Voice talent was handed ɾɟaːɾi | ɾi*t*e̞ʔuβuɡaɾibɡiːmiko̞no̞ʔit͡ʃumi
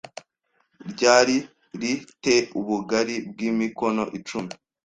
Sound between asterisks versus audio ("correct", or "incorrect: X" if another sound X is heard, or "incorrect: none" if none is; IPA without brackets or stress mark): correct